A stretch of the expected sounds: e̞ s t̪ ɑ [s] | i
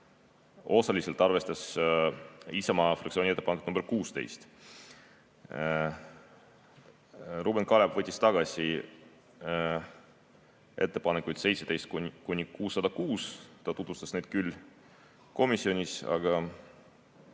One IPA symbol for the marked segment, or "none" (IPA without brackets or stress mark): s